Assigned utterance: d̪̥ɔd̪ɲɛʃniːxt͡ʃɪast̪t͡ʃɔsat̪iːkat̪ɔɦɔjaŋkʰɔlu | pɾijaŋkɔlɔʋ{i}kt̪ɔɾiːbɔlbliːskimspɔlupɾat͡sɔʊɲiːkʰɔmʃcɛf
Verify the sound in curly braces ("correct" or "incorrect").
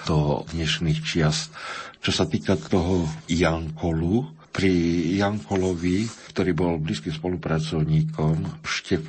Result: correct